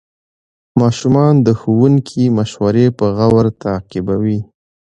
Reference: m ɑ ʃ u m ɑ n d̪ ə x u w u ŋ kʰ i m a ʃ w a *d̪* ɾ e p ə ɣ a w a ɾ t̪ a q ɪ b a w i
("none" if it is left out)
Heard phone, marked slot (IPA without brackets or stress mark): none